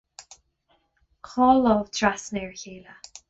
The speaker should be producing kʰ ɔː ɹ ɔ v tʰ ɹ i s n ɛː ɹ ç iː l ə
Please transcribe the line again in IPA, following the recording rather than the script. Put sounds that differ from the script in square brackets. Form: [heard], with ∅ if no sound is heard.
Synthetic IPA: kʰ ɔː [l] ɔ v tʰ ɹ [a] s n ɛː ɹ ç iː l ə